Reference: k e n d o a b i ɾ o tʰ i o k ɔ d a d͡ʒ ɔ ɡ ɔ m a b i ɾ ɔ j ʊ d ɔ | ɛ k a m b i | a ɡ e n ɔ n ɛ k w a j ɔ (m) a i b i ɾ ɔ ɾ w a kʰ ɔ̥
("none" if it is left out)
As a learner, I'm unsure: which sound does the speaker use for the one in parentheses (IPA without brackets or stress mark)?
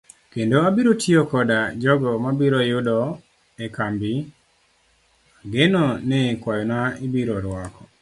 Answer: n